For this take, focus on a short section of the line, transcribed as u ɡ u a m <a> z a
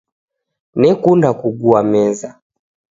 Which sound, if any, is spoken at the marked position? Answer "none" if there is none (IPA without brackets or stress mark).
ɛ